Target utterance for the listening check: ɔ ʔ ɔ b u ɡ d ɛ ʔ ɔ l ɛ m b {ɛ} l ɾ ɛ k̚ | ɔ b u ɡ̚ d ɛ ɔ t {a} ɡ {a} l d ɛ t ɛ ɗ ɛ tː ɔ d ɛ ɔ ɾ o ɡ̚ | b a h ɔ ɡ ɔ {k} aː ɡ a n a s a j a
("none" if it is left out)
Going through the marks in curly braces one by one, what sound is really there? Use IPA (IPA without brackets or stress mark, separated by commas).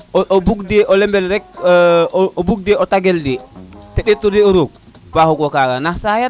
ɛ, a, ɛ, k